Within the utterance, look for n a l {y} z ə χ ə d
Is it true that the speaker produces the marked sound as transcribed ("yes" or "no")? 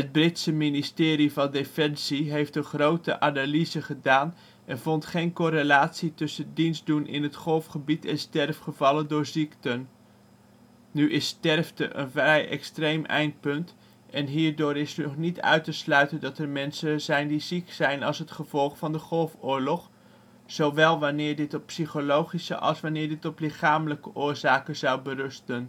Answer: no